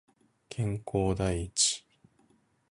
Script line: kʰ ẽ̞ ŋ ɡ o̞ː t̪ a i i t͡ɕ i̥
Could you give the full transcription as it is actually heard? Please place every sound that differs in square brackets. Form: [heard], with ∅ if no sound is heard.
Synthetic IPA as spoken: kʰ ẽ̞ ŋ [k] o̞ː [d̪] a i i t͡ɕ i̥